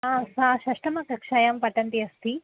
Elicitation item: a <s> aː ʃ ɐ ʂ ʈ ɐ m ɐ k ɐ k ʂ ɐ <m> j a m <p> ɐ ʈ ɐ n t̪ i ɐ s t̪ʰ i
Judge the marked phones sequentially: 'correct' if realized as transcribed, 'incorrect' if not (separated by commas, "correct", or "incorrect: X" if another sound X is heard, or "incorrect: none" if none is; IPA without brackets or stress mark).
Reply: correct, incorrect: none, correct